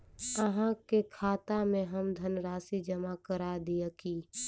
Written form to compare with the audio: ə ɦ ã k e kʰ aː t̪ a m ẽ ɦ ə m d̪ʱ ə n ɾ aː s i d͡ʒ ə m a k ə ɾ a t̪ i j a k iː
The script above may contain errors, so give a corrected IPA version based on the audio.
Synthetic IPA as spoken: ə ɦ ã k e kʰ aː t̪ a m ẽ ɦ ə m d̪ʱ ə n ɾ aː s i d͡ʒ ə m a k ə ɾ a d̪ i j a k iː